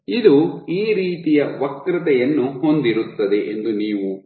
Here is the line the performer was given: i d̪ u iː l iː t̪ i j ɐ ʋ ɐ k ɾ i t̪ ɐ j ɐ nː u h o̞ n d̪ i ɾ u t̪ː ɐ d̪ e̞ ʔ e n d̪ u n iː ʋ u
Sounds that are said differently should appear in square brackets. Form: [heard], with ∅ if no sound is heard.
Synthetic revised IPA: i d̪ u iː [ɾ] iː t̪ i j ɐ ʋ ɐ k ɾ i t̪ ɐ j ɐ nː u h o̞ n d̪ i ɾ u t̪ː ɐ d̪ e̞ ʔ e n d̪ u n iː ʋ u